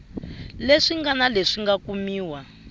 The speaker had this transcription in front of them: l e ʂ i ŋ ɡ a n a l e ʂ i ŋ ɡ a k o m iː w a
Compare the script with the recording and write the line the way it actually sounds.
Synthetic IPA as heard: l e ʂ i ŋ ɡ a n a l e ʂ i ŋ ɡ a k u m iː w a